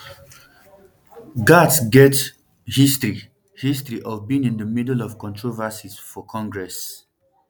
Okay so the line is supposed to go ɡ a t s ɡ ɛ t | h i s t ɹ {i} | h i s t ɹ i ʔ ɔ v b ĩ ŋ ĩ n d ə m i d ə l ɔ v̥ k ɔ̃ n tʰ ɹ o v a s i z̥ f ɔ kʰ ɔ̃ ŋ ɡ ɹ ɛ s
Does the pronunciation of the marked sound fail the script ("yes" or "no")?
no